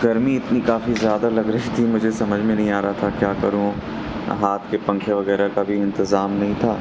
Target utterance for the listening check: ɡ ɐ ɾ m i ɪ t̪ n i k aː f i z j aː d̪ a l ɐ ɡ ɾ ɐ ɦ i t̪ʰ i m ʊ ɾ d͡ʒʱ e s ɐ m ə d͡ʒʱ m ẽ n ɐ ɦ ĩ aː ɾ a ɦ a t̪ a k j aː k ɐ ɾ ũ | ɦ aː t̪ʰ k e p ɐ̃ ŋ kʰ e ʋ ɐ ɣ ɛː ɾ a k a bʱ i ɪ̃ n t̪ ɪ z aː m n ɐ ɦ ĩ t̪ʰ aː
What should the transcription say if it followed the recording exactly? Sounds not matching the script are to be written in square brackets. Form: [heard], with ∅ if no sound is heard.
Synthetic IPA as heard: ɡ ɐ ɾ m i ɪ t̪ n i k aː f i z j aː d̪ a l ɐ ɡ ɾ ɐ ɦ i t̪ʰ i m ʊ [∅] d͡ʒʱ e s ɐ m ə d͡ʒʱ m ẽ n ɐ ɦ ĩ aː ɾ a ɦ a [t̪ʰ] a k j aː k ɐ ɾ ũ | ɦ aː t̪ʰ k e p ɐ̃ ŋ kʰ e ʋ ɐ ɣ ɛː ɾ a k a bʱ i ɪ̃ n t̪ ɪ z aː m n ɐ ɦ ĩ t̪ʰ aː